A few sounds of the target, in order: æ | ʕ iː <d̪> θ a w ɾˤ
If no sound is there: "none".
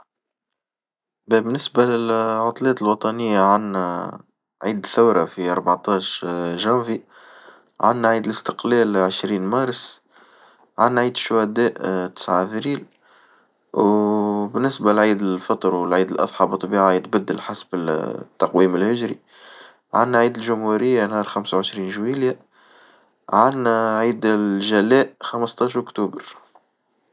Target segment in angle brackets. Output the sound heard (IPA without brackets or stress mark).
d̪